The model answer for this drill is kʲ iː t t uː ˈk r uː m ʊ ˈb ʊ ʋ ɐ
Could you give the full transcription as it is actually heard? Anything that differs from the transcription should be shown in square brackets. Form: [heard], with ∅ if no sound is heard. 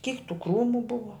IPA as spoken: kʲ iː [k] t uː ˈk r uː m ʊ ˈb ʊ ʋ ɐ